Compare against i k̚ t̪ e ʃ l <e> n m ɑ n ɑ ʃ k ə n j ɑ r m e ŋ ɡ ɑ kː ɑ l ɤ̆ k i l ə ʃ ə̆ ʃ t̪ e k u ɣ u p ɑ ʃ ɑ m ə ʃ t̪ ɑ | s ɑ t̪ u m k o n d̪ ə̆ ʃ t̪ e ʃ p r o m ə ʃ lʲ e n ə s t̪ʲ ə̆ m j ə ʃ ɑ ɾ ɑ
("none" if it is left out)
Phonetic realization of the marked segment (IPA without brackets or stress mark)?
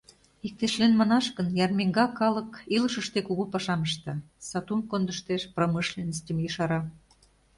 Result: e